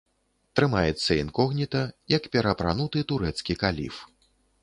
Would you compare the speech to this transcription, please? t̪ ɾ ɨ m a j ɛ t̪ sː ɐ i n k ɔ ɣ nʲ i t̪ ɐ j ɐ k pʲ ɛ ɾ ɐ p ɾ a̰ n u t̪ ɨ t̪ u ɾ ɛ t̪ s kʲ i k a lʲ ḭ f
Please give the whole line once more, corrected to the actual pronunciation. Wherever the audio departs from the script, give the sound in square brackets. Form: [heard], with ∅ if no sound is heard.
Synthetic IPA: t̪ ɾ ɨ m a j ɛ t̪ sː ɐ i n k ɔ ɣ nʲ i t̪ ɐ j ɐ k pʲ ɛ ɾ ɐ p ɾ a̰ n u t̪ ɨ t̪ u ɾ ɛ t̪ s kʲ i k a lʲ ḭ f